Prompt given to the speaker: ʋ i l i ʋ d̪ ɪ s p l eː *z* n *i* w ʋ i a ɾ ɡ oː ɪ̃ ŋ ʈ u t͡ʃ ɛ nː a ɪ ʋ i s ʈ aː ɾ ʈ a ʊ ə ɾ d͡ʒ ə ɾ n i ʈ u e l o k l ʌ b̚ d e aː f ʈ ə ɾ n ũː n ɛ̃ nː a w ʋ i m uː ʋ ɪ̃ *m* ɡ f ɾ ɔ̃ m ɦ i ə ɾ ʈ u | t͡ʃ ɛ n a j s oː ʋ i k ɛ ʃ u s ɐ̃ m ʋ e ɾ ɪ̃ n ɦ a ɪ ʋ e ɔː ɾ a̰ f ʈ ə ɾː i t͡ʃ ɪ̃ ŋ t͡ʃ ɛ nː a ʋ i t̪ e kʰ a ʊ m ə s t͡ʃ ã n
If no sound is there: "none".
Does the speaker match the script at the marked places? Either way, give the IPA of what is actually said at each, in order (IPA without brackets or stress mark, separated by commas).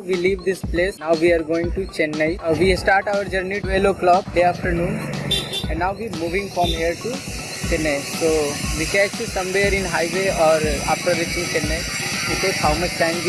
s, a, ŋ